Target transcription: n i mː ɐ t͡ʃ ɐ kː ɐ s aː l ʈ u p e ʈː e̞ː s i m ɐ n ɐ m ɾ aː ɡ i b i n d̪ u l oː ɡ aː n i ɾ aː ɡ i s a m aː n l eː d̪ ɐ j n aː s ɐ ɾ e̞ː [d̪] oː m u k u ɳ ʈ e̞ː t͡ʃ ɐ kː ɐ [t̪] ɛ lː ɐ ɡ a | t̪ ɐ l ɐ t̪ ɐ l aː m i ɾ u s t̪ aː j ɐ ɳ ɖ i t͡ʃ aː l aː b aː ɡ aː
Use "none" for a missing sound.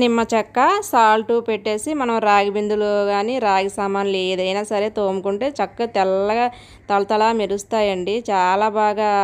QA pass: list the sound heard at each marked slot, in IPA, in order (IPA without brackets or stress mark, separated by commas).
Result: t̪, t̪